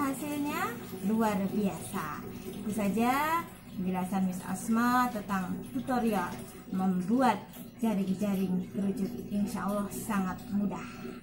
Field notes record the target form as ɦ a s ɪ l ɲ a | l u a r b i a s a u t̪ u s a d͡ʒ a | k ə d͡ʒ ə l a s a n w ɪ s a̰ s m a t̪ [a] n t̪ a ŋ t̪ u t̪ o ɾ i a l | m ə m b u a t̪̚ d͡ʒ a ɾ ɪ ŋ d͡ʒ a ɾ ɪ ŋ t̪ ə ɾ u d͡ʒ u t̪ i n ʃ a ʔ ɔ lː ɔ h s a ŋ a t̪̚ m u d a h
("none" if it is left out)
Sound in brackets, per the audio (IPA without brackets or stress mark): ə